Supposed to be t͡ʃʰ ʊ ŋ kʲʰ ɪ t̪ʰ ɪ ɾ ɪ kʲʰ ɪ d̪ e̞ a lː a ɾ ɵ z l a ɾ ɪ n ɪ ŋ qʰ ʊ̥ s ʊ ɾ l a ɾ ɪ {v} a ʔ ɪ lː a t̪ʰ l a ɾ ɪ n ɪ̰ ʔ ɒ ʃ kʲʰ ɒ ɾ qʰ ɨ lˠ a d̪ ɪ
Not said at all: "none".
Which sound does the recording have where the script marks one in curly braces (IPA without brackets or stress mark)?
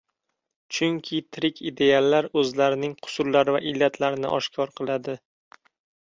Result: v